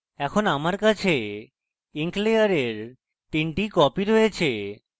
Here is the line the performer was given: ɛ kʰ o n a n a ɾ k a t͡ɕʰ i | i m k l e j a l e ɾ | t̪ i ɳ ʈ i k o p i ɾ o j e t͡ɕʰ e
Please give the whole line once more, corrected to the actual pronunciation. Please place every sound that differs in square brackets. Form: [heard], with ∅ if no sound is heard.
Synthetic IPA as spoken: ɛ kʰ o n a [m] a ɾ k a t͡ɕʰ [e] | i [ŋ] k l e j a [ɾ] e ɾ | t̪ i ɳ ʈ i k [ɔ] p i ɾ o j e t͡ɕʰ e